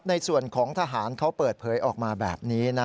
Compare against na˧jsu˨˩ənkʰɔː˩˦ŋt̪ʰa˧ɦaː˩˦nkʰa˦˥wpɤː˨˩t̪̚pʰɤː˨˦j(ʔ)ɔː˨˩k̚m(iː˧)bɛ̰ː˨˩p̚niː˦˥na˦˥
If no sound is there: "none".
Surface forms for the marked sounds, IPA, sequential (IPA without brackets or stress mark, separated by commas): ʔ, aː˧